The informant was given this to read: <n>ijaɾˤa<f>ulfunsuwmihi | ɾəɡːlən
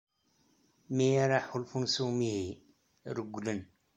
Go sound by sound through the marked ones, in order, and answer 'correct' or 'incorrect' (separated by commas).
incorrect, incorrect